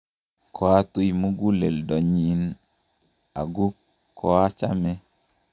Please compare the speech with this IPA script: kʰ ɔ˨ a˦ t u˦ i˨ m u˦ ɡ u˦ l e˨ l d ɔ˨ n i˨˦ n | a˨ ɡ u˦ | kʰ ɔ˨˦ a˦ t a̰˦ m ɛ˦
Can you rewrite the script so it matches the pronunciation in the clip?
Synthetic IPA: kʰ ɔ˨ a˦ t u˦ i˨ m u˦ ɡ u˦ l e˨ l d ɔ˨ ɲ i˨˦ n | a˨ ɡ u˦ | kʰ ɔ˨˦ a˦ t͡ʃ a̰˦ m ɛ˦